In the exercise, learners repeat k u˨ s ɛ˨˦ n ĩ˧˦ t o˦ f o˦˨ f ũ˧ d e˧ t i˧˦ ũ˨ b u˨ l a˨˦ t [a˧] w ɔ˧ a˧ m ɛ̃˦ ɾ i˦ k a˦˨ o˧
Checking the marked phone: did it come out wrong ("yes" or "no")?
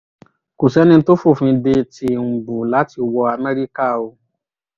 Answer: yes